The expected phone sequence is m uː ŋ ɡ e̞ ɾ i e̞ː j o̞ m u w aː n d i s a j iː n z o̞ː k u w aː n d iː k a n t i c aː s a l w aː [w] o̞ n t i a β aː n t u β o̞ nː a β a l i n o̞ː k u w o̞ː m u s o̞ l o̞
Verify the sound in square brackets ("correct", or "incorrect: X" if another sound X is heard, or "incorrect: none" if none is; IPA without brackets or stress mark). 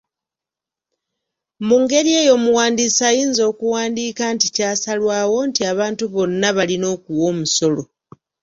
correct